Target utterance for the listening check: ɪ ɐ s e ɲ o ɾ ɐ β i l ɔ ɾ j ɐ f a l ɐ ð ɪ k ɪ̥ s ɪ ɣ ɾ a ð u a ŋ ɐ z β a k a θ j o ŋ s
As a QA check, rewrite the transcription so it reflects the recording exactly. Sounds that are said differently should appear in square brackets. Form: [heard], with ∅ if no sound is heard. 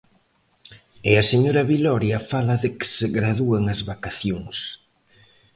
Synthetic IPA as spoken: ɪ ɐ s e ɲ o ɾ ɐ β i l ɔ ɾ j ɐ f a l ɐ ð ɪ k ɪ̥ s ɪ ɣ ɾ a ð u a ŋ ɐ z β a k a θ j o ŋ s